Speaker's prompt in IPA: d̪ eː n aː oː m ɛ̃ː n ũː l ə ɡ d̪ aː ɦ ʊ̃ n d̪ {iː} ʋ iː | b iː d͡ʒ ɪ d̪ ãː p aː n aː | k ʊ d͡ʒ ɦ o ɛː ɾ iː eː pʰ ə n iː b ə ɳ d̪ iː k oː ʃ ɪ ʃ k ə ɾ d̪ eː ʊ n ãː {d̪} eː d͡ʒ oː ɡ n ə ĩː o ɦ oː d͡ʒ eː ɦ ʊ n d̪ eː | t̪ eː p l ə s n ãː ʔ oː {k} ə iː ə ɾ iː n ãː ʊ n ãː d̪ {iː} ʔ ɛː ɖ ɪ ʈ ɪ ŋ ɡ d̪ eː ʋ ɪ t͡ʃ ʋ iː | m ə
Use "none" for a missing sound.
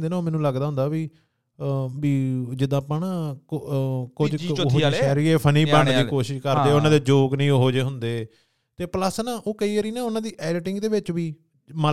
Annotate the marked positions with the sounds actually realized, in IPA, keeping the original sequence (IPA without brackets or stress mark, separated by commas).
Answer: aː, d̪, k, iː